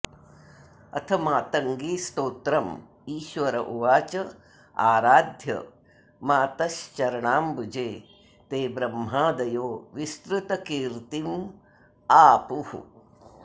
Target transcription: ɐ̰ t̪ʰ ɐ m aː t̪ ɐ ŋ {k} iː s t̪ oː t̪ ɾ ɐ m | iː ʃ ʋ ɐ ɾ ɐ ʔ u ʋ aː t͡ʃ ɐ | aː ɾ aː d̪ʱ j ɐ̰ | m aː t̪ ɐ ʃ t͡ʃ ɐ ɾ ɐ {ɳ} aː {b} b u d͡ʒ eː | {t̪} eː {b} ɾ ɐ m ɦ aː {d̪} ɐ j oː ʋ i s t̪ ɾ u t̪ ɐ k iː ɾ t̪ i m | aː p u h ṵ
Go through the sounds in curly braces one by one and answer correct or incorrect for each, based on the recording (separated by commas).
incorrect, correct, incorrect, correct, correct, correct